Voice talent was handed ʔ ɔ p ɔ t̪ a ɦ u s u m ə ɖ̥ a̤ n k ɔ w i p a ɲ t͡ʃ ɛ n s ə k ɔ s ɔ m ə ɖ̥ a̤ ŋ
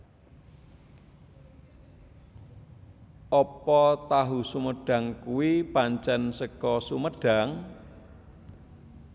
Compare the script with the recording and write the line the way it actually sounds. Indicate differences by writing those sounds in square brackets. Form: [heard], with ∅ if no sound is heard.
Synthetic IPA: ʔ ɔ p ɔ t̪ a ɦ u s u m ə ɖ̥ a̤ [ŋ] k [u] w i p a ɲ t͡ʃ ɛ n s ə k ɔ s [u] m ə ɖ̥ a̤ ŋ